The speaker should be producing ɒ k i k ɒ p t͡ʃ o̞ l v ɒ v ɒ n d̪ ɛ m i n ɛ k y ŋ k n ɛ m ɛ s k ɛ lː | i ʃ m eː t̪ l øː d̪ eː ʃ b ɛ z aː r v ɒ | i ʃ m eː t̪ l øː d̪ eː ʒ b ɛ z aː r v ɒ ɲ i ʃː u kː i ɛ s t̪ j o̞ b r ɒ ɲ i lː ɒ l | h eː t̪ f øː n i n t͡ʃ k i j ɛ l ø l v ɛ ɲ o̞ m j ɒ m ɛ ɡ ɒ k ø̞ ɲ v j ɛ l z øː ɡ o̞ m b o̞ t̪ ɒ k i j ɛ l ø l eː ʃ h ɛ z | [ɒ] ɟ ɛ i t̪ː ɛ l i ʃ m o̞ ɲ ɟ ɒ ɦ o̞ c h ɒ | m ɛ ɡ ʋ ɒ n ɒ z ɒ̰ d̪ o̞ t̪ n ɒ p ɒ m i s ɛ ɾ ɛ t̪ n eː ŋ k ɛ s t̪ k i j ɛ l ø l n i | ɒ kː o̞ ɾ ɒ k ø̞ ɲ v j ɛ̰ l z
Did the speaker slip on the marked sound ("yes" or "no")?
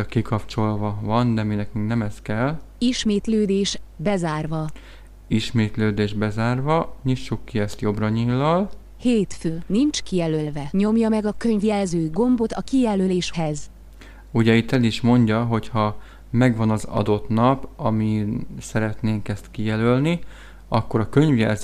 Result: yes